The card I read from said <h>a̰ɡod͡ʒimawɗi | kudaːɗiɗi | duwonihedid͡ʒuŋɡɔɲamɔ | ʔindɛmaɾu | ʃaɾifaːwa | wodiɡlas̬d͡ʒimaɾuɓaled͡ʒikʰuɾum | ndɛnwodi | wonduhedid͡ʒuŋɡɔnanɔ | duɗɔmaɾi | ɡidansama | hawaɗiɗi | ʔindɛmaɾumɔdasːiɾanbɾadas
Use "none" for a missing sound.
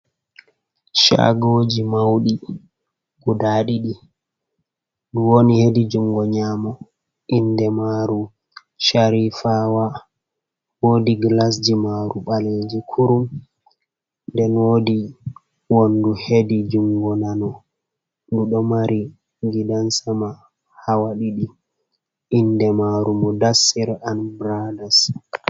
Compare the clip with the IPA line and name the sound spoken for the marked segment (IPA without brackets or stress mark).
ʃ